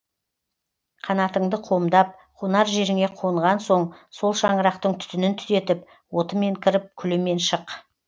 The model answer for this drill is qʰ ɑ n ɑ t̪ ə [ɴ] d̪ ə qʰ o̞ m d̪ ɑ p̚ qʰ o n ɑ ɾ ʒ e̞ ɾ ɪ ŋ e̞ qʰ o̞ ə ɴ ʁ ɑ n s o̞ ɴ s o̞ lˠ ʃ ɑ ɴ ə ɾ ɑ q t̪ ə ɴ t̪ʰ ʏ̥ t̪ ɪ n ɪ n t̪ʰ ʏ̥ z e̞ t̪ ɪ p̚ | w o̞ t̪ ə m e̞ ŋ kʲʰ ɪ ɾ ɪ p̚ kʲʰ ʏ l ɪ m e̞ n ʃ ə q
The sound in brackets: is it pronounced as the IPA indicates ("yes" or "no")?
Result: yes